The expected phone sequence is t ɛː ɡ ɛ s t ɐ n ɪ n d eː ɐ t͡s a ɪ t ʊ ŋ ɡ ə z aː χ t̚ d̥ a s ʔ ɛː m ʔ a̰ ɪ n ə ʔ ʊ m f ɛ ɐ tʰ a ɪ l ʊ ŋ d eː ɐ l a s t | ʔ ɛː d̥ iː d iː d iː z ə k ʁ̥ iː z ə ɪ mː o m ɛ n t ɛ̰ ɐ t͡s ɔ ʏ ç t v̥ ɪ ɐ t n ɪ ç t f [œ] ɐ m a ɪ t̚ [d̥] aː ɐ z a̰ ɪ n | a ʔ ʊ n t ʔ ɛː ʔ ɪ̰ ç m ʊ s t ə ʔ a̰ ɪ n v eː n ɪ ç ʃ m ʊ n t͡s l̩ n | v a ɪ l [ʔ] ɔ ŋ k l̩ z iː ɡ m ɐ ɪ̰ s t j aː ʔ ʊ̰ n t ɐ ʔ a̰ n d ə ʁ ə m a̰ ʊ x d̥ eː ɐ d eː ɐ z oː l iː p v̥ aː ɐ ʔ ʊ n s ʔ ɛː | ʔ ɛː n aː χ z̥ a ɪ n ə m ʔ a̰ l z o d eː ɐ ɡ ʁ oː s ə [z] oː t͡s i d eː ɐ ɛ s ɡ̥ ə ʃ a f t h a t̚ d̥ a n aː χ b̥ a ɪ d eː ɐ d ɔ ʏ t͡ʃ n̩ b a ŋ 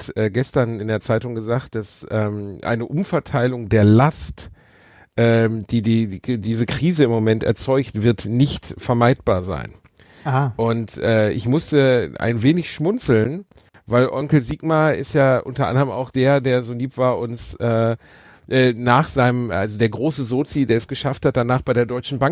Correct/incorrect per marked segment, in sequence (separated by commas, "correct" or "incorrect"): incorrect, incorrect, correct, correct